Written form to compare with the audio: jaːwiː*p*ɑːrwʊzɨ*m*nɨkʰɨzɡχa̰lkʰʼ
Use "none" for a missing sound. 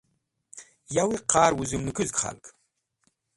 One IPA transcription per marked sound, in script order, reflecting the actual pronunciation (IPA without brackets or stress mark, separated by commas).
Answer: q, m